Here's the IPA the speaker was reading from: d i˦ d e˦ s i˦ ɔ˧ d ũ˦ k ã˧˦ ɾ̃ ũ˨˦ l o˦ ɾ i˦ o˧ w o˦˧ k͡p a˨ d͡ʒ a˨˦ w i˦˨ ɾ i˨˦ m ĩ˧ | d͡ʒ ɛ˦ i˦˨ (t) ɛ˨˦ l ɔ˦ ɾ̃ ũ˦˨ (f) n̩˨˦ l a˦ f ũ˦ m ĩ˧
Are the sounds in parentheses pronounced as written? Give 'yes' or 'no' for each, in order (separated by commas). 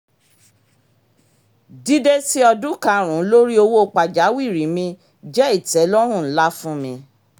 yes, no